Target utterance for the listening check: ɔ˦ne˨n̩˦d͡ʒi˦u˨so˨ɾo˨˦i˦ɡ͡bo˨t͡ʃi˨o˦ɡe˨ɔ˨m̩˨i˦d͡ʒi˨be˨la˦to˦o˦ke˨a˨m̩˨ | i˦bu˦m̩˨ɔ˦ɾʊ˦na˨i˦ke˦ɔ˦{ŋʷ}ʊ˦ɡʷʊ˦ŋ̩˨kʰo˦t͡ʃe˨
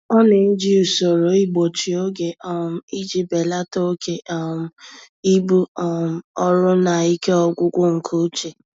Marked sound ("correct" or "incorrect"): incorrect